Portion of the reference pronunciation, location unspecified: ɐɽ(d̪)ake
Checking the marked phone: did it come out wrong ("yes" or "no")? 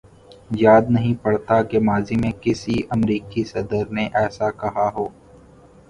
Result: yes